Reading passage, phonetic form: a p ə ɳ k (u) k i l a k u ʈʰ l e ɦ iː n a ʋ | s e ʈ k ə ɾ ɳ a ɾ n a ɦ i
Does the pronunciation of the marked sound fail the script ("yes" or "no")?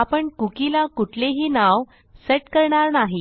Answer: no